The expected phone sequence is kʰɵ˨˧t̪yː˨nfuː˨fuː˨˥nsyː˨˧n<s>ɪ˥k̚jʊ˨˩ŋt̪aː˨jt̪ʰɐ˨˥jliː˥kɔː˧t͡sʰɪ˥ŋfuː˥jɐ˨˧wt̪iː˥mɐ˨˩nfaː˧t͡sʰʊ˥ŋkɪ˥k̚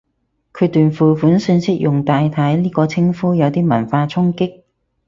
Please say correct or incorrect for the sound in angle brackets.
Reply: correct